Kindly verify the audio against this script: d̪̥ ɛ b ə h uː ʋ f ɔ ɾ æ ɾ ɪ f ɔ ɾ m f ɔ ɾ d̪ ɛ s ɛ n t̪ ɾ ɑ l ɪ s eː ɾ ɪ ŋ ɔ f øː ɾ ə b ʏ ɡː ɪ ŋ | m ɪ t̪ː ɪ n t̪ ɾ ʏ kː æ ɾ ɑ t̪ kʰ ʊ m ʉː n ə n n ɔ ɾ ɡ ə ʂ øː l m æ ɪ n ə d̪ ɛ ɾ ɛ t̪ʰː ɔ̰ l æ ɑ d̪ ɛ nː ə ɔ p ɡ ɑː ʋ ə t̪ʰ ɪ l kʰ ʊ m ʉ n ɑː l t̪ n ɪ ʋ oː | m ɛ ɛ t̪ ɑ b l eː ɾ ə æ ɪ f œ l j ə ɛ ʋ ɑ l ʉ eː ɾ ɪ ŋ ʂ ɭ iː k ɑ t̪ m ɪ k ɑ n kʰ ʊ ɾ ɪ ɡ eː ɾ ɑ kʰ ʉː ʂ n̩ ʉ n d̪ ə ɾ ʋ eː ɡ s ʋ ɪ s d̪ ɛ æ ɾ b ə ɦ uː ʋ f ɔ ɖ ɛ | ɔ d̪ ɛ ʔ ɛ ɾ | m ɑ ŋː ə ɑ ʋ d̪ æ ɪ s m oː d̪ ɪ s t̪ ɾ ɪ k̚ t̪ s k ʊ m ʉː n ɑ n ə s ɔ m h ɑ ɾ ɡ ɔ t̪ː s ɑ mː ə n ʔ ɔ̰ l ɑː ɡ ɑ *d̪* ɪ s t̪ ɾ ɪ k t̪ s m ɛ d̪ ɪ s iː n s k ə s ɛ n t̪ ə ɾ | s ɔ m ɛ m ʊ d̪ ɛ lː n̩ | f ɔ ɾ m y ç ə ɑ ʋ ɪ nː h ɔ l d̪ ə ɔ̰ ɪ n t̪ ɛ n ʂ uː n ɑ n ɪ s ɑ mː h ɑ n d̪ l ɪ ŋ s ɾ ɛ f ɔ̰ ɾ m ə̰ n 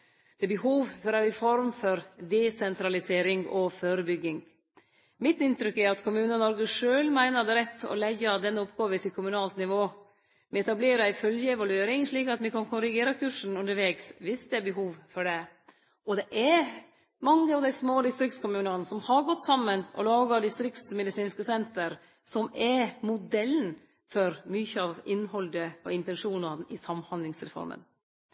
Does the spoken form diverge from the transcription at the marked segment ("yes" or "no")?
no